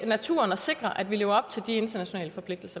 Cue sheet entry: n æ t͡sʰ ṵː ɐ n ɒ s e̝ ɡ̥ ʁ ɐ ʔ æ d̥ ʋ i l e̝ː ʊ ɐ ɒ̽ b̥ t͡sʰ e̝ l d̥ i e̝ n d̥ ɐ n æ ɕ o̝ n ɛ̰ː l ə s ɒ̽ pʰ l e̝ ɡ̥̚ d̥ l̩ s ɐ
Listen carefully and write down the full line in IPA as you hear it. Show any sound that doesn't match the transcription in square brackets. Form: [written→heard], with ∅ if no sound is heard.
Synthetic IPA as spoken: n æ t͡sʰ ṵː ɐ n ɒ s e̝ ɡ̥ ʁ ɐ ʔ æ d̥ ʋ i l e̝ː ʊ ɐ ɒ̽ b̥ t͡sʰ e̝ l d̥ i e̝ n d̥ ɐ n æ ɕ o̝ n ɛ̰ː l ə [s→f] ɒ̽ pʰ l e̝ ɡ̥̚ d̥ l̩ s ɐ